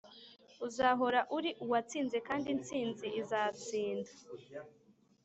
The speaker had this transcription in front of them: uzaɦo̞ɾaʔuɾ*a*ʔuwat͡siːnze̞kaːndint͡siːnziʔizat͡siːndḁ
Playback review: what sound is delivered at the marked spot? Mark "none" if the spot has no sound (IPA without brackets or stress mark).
i